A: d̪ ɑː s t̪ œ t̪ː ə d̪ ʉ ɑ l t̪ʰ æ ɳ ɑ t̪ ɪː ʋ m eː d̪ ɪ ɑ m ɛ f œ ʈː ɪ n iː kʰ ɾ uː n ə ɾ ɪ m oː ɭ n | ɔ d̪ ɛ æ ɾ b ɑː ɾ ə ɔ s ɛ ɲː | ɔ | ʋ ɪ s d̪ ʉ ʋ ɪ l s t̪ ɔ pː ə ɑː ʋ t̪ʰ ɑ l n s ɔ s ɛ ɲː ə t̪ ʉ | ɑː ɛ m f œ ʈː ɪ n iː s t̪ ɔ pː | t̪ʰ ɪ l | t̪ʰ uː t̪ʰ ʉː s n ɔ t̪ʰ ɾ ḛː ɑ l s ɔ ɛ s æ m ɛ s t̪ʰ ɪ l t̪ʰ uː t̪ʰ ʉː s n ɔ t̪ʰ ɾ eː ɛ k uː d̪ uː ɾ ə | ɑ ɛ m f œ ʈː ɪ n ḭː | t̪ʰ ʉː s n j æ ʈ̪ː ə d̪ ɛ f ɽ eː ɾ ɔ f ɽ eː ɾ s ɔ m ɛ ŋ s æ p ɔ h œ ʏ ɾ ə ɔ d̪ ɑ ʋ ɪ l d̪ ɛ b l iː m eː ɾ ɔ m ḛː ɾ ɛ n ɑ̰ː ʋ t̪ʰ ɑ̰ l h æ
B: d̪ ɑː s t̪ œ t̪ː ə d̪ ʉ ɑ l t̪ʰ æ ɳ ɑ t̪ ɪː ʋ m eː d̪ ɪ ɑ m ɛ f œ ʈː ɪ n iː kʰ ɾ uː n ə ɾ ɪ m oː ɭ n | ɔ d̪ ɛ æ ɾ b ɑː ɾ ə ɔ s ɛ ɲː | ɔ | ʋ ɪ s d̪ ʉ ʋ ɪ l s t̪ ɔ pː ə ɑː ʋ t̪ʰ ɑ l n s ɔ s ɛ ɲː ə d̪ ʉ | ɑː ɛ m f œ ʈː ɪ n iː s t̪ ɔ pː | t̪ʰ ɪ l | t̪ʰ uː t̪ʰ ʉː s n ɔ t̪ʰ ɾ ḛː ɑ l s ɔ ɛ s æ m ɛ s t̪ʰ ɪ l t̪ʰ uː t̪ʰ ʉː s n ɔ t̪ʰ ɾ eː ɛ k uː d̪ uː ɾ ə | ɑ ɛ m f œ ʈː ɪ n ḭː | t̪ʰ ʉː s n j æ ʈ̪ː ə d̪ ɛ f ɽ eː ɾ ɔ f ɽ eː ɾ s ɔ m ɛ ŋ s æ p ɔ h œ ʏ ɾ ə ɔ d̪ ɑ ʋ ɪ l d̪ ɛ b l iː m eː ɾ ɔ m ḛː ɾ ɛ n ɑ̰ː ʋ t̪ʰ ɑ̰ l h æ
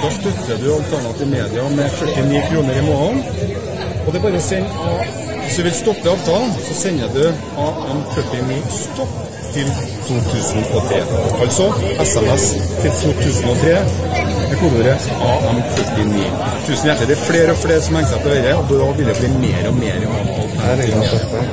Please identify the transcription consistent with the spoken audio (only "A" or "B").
B